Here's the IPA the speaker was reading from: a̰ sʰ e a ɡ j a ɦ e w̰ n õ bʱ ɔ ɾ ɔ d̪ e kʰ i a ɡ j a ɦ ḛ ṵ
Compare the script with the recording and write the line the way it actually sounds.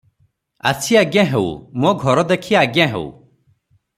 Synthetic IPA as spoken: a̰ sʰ i a ɡ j a ɦ e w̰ m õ ɡʱ ɔ ɾ ɔ d̪ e kʰ i a ɡ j a ɦ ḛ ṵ